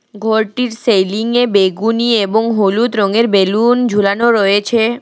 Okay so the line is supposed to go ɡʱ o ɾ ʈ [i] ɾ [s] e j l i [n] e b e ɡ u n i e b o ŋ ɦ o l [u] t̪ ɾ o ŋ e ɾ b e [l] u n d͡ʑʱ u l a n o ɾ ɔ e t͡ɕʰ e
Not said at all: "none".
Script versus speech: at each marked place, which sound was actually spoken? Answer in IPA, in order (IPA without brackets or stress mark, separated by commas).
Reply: i, s, ŋ, u, l